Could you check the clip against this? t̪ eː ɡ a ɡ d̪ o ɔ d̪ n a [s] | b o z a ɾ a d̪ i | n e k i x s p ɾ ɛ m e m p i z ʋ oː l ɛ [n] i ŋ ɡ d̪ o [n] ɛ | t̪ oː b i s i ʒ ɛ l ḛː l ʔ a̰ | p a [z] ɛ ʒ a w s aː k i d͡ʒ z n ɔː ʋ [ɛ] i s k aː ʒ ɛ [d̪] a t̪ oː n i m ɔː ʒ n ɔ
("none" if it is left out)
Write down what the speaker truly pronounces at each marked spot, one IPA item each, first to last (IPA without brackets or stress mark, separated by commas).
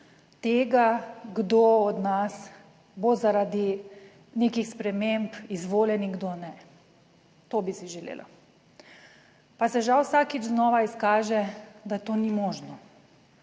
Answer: s, n, n, s, a, d̪